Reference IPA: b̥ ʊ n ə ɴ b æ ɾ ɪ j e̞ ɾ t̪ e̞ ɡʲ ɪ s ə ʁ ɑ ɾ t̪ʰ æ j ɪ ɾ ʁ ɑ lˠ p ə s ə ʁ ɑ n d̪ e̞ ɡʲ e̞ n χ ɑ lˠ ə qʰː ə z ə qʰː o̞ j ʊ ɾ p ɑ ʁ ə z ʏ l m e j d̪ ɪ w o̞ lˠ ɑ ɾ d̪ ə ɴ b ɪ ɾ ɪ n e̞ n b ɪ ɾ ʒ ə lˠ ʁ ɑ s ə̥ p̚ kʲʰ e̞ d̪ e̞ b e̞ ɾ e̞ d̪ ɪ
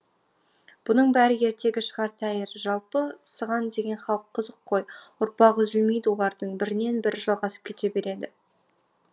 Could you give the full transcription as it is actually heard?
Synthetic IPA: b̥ ʊ n ə ɴ b æ ɾ ɪ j e̞ ɾ t̪ e̞ ɡʲ ɪ ʃ ə ʁ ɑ ɾ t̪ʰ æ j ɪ ɾ ʒ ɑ lˠ p ə s ə ʁ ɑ n d̪ e̞ ɡʲ e̞ n χ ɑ lˠ ə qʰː ə z ə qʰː o̞ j ʊ ɾ p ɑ ʁ ə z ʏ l m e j d̪ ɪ w o̞ lˠ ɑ ɾ d̪ ə ɴ b ɪ ɾ ɪ n e̞ n b ɪ ɾ ʒ ɑ lˠ ʁ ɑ s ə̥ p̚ kʲʰ e̞ t̪ e̞ b e̞ ɾ e̞ d̪ ɪ